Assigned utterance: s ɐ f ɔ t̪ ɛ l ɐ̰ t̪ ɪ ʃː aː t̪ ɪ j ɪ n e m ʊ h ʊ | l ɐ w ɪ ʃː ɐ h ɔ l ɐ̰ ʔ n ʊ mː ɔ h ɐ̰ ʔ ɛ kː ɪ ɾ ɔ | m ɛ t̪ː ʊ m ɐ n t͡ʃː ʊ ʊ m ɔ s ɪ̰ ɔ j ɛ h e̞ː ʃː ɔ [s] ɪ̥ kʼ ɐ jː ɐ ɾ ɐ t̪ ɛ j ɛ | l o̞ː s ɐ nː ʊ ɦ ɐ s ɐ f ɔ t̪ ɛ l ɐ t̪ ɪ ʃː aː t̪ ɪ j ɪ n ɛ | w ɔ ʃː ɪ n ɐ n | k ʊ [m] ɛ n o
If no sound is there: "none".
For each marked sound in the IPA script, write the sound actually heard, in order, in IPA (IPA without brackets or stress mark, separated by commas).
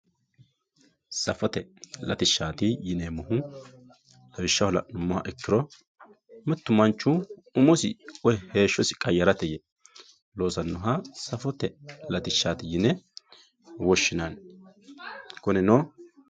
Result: s, n